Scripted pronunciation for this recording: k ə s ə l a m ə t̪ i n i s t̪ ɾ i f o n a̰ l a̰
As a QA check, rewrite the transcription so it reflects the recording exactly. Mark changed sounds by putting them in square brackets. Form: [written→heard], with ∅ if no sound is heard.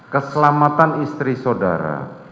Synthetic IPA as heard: k ə s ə l a m [ə→a] t̪ [i→a] n i s t̪ ɾ i [f→s] o [n→d] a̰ [l→ɾ] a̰

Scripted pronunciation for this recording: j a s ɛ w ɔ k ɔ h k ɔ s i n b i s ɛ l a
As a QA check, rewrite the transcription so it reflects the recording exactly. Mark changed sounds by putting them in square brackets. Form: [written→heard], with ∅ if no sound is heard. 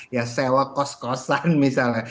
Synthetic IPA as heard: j a s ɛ w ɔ k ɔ [h→s] k ɔ s [i→a] n [b→m] i s [ɛ→a] l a

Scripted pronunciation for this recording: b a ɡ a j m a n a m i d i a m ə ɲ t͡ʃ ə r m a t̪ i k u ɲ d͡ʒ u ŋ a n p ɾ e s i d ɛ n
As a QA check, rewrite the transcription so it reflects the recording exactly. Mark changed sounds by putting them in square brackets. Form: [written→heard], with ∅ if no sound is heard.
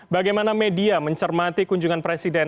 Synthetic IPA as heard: b a ɡ a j m a n a m [i→e] d i a m ə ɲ t͡ʃ ə r m a t̪ i k u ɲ d͡ʒ u ŋ a n p ɾ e s i d ɛ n

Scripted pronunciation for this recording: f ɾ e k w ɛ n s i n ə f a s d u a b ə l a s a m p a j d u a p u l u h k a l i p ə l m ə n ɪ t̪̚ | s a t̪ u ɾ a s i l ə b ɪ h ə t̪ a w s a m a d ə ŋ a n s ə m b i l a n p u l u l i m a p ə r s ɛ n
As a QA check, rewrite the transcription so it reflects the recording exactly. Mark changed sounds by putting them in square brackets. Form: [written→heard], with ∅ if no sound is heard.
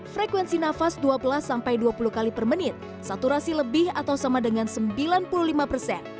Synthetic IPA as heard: f ɾ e k w ɛ n s i n [ə→a] f a s d u a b ə l a s a m p a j d u a p u l u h k a l i p ə [l→r] m ə n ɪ t̪̚ | s a t̪ u ɾ a s i l ə b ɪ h [ə→a] t̪ a w s a m a d ə ŋ a n s ə m b i l a n p u l u l i m a p ə r s ɛ n

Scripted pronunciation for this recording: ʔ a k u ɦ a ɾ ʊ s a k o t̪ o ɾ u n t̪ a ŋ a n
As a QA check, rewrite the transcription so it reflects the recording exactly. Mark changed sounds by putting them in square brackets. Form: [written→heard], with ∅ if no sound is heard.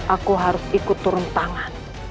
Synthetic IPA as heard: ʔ a k u ɦ a ɾ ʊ s [a→i] k [o→u] t̪ [o→u] ɾ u n t̪ a ŋ a n

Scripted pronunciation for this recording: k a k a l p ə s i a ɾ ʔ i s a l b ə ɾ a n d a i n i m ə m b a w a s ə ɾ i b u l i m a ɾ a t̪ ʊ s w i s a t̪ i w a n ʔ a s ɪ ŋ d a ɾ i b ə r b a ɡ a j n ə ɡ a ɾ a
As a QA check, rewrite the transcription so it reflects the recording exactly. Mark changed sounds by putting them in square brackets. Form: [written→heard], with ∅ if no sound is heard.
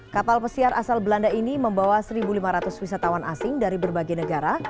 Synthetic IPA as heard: k a [k→p] a l p ə s i a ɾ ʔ [i→a] s a l b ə [ɾ→l] a n d a i n i m ə m b a w a s ə ɾ i b u l i m a ɾ a t̪ ʊ s w i s a t̪ [i→a] w a n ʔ a s ɪ ŋ d a ɾ i b ə r b a ɡ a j n ə ɡ a ɾ a

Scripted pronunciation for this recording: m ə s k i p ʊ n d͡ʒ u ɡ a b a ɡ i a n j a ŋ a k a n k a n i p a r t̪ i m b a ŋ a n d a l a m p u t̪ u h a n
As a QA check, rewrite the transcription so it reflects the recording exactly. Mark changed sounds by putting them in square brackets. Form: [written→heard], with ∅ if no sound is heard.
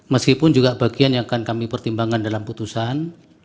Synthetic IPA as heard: m ə s k i p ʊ n d͡ʒ u ɡ a b a ɡ i a n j a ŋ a k a n k a [n→m] i p [a→ə] r t̪ i m b a ŋ a n d a l a m p u t̪ u [h→s] a n

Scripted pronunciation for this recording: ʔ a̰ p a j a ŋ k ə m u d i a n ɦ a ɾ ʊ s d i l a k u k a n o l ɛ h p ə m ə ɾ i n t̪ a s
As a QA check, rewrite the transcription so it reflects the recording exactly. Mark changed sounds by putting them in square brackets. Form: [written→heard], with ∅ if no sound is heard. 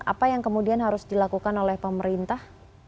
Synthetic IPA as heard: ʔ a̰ p a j a ŋ k ə m u d i a n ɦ a ɾ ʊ s d i l a k u k a n o l ɛ h p ə m ə ɾ i n t̪ a [s→h]

